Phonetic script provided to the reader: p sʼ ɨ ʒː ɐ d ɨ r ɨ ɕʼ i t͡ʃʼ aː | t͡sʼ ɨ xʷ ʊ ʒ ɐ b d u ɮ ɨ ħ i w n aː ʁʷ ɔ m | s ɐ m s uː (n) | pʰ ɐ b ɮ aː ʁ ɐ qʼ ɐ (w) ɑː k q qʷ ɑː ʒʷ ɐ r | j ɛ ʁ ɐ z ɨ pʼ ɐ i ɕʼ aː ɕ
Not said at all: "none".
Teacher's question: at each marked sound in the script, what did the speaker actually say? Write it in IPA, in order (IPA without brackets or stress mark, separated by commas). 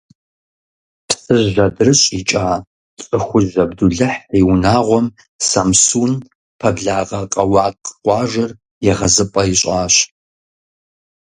n, w